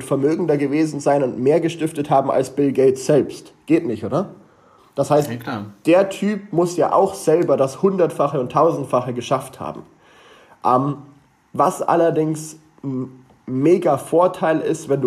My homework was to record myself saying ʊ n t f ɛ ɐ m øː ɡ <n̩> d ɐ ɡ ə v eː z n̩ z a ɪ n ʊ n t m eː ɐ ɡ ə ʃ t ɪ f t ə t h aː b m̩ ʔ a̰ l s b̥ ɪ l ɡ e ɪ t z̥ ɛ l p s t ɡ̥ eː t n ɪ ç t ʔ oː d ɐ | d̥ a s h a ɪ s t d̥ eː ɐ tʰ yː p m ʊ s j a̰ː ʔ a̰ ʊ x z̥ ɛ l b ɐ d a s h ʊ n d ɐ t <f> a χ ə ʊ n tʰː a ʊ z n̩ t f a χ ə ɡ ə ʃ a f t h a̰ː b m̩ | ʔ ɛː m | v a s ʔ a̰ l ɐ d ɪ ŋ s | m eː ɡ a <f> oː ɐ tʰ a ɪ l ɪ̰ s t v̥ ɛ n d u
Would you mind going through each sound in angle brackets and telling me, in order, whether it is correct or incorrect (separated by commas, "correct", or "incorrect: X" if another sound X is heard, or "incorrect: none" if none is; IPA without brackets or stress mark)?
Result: incorrect: ŋ̩, correct, correct